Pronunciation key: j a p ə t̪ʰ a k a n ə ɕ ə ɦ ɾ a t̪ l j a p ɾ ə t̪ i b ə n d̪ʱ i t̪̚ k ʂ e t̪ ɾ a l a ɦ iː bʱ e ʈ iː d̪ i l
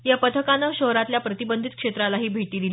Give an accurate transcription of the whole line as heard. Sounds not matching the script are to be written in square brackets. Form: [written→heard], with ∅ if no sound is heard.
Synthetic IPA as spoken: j a p ə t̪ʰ [a→ə] k a n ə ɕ ə ɦ ɾ a t̪ l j a p ɾ ə t̪ i b ə n d̪ʱ i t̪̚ k ʂ e t̪ ɾ a l a ɦ iː bʱ e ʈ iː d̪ i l

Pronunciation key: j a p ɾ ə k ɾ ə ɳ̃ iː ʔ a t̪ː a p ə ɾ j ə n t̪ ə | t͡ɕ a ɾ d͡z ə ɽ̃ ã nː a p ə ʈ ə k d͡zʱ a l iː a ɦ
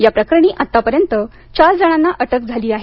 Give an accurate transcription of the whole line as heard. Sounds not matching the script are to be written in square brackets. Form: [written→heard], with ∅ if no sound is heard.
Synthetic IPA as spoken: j a p ɾ ə k ɾ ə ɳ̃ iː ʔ a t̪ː a p ə ɾ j ə n t̪ ə | t͡ɕ a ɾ d͡z ə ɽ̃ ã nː a [p→ʔ] ə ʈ ə k d͡zʱ a l iː a ɦ

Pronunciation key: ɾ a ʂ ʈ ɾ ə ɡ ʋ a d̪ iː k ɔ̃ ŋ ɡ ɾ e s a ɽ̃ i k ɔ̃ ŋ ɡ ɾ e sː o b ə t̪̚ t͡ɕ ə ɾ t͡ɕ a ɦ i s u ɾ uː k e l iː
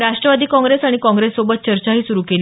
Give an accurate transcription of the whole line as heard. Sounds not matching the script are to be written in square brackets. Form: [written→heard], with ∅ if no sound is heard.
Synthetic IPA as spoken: ɾ a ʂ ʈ ɾ ə [ɡ→∅] ʋ a d̪ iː k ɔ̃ ŋ ɡ ɾ e s a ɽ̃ i k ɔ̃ ŋ ɡ ɾ e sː o b ə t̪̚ t͡ɕ ə ɾ t͡ɕ a ɦ [i→iː] s u ɾ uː k e l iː

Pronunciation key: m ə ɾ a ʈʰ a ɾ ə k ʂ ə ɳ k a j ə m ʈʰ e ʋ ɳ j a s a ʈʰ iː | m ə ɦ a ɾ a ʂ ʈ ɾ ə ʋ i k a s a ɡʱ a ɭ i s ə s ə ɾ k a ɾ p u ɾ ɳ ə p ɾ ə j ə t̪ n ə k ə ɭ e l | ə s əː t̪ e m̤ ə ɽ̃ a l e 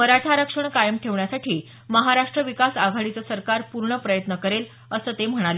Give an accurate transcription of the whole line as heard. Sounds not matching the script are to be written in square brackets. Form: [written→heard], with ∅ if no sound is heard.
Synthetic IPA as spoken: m ə ɾ a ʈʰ a ɾ ə k ʂ ə ɳ k a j ə m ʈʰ e ʋ ɳ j a s a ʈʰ iː | m ə ɦ a ɾ a ʂ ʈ ɾ ə ʋ i k a s a ɡʱ a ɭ i [s→t͡s] ə s ə ɾ k a ɾ p u ɾ ɳ ə p ɾ ə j ə t̪ n ə k ə [ɭ→ɾ] e l | ə s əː t̪ e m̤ ə ɽ̃ a l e

